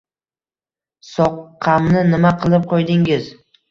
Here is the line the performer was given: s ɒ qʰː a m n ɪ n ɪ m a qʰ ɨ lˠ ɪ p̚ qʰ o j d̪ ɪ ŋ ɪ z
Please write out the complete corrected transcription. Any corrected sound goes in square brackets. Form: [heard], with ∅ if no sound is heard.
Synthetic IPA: s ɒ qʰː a m n ɪ n ɪ m a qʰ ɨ lˠ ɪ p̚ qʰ o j d̪ ɪ ŋ ɪ z